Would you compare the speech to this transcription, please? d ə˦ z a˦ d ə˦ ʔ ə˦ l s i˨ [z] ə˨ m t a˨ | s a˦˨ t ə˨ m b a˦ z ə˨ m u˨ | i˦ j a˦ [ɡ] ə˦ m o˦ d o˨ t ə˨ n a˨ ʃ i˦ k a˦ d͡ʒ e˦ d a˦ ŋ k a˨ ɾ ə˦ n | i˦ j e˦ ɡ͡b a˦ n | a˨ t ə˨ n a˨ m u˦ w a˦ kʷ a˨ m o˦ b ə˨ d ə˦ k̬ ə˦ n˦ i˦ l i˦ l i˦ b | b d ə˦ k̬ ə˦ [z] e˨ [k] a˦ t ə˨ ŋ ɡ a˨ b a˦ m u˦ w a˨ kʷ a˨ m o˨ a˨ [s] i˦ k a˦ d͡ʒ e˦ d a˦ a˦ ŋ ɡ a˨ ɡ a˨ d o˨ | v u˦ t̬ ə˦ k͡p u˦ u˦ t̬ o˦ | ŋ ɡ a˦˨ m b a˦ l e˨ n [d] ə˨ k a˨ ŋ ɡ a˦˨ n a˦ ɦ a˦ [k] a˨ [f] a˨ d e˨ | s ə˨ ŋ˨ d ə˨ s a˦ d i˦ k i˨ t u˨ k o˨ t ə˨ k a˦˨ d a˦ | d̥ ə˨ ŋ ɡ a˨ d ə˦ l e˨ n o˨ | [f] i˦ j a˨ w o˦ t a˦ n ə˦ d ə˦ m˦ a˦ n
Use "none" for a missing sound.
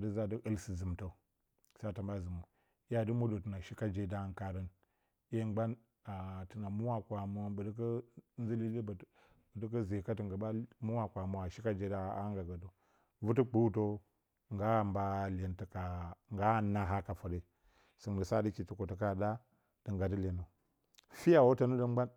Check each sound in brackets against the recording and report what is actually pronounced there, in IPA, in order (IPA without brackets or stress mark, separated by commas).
z, d, z, k, ʃ, t, k, f, f